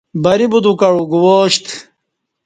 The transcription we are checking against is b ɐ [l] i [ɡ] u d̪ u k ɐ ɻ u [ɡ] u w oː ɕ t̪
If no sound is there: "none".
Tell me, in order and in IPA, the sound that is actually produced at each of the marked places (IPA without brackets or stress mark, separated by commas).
ɾ, b, ɡ